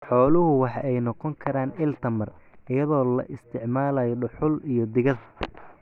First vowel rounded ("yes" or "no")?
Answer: yes